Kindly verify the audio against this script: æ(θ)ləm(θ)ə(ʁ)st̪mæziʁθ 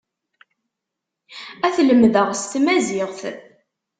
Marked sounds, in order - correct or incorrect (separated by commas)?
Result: correct, incorrect, correct